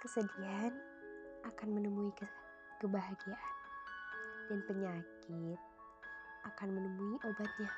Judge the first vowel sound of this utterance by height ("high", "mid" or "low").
mid